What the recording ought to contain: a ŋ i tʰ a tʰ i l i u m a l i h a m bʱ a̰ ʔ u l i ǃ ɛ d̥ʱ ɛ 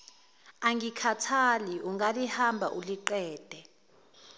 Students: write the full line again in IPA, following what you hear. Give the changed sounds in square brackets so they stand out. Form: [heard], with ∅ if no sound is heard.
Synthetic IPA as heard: a ŋ i [kʰ] a tʰ [a] l i u [ŋ] a l i h a m bʱ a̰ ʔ u l i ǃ [ɛː] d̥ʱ ɛ